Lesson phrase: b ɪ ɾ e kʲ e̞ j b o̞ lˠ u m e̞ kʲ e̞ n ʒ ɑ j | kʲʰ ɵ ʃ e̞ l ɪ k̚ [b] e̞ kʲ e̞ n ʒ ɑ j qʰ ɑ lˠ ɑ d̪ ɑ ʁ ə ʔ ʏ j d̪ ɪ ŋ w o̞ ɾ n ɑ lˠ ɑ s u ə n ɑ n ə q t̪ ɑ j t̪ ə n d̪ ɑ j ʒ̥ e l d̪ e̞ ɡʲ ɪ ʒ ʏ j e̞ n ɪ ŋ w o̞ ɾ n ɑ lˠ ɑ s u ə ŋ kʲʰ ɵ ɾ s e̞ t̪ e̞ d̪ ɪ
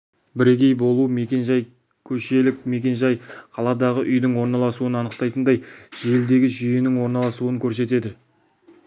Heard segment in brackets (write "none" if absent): m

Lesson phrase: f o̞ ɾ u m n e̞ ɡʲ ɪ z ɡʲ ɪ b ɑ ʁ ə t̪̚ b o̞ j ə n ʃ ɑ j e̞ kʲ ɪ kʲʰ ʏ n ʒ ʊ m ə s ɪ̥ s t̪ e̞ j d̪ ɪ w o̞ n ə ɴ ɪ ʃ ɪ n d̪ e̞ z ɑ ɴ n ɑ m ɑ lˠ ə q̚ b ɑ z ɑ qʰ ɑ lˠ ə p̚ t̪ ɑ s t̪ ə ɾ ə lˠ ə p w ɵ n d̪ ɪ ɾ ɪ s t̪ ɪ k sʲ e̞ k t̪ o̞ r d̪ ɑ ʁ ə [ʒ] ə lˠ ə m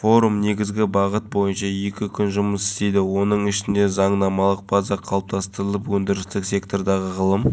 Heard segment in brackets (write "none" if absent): ʁ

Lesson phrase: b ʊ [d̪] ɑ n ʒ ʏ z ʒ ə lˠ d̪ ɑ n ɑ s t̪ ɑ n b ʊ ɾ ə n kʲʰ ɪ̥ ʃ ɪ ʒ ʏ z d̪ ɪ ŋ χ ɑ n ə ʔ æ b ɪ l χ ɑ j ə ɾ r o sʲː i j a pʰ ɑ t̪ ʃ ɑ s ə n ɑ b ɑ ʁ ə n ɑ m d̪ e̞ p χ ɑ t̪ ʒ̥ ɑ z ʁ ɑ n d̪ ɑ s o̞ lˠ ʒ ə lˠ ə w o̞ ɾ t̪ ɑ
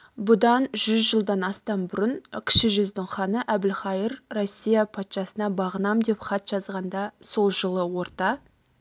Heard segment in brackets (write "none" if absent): d̪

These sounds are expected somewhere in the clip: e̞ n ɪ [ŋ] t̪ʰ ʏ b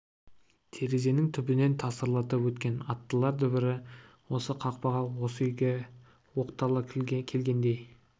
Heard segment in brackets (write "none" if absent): ŋ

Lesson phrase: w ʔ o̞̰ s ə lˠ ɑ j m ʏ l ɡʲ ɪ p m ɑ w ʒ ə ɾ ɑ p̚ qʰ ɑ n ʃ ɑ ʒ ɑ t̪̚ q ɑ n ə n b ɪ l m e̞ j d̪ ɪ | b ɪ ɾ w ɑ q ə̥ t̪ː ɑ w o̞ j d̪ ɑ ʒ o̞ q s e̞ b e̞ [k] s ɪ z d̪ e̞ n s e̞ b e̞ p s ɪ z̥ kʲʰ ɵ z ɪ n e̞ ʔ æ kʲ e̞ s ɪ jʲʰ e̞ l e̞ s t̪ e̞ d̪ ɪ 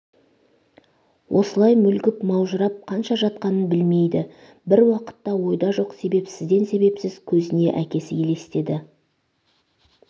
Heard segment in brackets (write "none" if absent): p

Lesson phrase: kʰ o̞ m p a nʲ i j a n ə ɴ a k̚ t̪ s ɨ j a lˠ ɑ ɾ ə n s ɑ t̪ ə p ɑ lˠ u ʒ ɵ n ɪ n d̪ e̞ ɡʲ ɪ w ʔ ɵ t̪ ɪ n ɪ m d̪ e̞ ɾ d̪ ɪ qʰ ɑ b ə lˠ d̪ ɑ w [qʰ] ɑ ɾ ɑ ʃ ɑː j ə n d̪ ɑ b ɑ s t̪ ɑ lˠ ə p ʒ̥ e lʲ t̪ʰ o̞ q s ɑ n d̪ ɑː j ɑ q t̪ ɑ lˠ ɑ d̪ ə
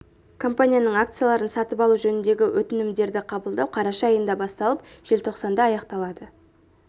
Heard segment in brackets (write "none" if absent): qʰ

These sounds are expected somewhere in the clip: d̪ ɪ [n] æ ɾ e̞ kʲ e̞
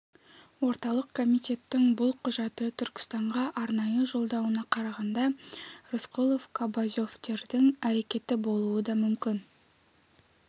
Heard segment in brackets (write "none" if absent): ŋ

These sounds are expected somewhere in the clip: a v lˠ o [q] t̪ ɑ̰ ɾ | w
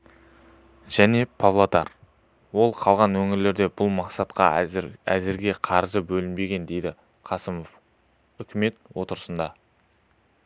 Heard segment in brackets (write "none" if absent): none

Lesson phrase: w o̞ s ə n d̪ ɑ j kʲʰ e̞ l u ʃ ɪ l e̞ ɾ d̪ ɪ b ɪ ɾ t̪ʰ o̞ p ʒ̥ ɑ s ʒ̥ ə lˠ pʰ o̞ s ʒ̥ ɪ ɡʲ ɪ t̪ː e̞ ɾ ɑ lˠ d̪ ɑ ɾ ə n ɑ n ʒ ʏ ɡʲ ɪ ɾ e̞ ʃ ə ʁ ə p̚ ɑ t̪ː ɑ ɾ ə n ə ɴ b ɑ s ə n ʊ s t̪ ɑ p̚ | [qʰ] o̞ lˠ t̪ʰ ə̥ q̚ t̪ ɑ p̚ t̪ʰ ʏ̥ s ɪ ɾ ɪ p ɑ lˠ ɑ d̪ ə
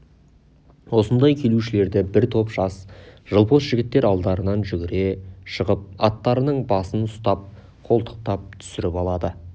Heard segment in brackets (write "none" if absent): qʰ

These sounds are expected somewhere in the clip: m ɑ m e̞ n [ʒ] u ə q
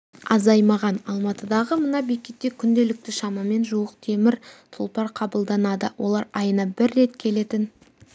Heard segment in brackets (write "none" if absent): ʒ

